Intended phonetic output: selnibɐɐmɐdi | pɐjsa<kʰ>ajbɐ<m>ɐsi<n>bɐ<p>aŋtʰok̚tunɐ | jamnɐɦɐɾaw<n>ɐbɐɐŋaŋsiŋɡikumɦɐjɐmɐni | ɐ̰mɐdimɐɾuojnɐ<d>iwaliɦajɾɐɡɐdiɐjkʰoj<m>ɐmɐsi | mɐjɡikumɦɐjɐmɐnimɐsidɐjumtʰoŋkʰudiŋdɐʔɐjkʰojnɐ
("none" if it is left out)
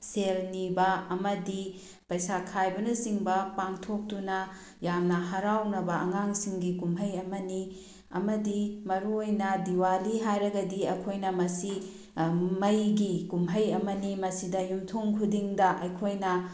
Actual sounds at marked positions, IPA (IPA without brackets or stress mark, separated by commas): kʰ, n, ŋ, p, n, d, n